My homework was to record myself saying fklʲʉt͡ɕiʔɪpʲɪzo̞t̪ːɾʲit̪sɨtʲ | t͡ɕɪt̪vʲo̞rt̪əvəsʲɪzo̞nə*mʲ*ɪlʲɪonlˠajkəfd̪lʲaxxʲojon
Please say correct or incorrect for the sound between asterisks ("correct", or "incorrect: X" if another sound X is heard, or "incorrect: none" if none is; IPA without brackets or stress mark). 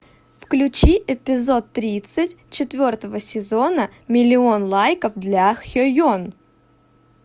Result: correct